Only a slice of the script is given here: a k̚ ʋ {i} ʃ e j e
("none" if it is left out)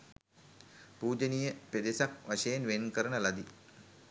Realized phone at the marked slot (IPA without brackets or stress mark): a